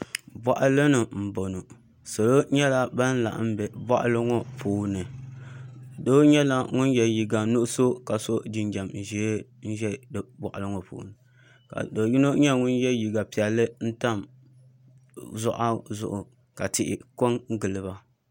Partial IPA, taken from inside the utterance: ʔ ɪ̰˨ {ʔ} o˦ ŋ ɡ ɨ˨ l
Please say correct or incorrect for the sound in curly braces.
incorrect